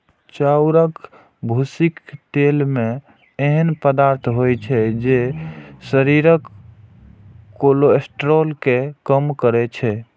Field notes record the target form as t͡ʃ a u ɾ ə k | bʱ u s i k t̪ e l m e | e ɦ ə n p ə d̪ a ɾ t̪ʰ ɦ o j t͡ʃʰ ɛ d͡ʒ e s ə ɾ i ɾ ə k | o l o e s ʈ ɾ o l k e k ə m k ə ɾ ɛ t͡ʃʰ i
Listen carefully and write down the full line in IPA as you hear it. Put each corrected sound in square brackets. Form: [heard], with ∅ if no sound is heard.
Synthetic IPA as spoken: t͡ʃ a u ɾ ə k | bʱ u s i k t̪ e l m e | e ɦ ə n p ə d̪ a ɾ t̪ʰ ɦ o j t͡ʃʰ ɛ d͡ʒ e s ə ɾ i ɾ ə k | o l o e s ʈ ɾ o l k e k ə m k ə ɾ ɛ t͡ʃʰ [ɛ]